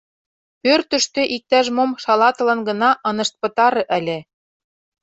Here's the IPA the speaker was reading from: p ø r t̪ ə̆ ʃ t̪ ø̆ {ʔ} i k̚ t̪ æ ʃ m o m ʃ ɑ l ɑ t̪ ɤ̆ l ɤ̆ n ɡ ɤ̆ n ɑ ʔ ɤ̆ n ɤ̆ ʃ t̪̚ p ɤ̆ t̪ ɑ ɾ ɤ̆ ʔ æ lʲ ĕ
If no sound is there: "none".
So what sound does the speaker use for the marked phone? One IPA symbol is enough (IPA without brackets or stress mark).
ʔ